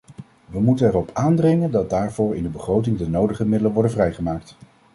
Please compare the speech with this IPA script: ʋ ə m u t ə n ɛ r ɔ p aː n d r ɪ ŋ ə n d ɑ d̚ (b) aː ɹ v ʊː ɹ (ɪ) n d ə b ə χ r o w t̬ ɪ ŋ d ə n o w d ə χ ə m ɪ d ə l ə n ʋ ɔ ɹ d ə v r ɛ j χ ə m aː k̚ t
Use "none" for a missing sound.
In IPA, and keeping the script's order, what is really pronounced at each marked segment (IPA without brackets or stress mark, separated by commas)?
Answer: d, ɪ